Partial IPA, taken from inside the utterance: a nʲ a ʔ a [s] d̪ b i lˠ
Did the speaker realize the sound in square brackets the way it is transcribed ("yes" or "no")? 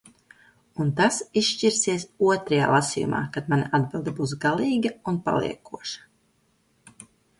no